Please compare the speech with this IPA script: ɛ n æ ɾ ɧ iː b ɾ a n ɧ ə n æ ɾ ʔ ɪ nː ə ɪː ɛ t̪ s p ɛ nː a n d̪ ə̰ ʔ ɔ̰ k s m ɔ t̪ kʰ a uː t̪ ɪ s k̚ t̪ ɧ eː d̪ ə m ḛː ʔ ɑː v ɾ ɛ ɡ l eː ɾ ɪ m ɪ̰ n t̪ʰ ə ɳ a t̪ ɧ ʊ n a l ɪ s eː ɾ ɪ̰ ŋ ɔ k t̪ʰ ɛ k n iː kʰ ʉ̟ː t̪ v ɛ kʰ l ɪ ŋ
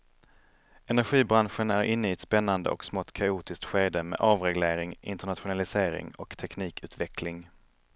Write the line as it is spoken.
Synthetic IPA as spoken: ɛ n æ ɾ ɧ iː b ɾ a n ɧ ə n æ ɾ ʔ ɪ nː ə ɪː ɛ t̪ s p ɛ nː a n d̪ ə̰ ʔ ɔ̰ k s m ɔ t̪ kʰ a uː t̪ ɪ s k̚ t̪ ɧ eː d̪ ə m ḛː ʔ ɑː v ɾ ɛ ɡ l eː ɾ ɪ ŋ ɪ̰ n t̪ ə ɳ a t̪ ɧ ʊ n a l ɪ s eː ɾ ɪ̰ ŋ ɔ k t̪ʰ ɛ k n iː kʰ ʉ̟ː t̪ v ɛ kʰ l ɪ ŋ